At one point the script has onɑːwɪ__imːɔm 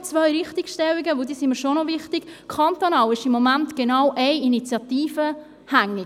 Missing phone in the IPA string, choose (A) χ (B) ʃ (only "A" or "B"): B